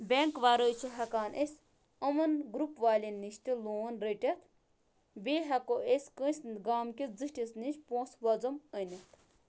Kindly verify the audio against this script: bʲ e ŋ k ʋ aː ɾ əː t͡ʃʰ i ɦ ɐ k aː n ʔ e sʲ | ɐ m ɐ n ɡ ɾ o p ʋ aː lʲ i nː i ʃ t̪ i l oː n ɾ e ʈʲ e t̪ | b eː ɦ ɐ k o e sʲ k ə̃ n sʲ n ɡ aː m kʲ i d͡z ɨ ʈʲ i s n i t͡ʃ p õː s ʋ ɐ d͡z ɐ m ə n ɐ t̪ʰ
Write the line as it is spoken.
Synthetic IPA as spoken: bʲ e ŋ k ʋ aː ɾ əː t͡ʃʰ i ɦ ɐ k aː n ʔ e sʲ | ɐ m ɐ n ɡ ɾ u p ʋ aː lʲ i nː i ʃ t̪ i l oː n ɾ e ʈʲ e t̪ | b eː ɦ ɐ k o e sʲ k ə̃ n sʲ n ɡ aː m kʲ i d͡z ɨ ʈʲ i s n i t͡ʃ p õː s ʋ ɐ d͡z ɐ m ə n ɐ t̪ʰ